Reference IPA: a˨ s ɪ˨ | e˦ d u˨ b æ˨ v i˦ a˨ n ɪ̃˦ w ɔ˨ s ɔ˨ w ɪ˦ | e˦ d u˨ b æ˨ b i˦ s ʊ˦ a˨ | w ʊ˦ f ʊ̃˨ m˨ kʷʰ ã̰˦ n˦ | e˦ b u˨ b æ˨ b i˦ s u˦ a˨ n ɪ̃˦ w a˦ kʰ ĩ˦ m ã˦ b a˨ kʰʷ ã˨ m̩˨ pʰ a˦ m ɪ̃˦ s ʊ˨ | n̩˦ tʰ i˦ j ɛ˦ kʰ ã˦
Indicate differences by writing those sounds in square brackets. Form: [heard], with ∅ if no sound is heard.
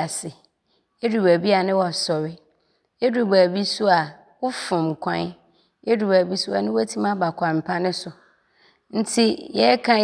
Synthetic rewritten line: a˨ s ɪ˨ | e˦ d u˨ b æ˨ [b] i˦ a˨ n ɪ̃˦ w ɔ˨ s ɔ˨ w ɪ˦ | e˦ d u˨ b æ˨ b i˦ s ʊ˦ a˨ | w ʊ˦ f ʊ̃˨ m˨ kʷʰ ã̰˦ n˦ | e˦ [d] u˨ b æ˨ b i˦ s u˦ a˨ n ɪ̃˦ w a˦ [tʰ] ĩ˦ m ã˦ b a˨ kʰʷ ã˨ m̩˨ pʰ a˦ [n] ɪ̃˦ s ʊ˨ | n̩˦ tʰ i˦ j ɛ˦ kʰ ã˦